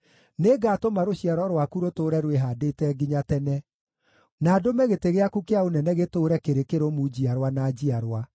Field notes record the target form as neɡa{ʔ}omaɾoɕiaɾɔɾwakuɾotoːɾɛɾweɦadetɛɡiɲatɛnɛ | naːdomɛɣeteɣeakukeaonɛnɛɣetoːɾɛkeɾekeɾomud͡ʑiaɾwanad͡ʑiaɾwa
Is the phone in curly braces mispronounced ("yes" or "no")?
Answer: yes